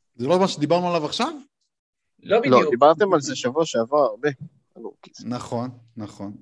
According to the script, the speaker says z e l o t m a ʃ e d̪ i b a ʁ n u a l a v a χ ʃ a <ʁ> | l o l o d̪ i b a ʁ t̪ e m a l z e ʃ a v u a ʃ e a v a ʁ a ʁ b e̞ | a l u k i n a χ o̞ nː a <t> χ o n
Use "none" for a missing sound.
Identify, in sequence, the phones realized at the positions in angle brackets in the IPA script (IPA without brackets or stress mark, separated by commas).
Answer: v, none